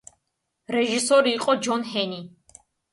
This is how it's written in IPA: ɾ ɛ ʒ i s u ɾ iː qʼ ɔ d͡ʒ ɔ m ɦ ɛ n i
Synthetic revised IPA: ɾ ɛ ʒ i s ɔ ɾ iː qʼ ɔ d͡ʒ ɔ n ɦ ɛ n i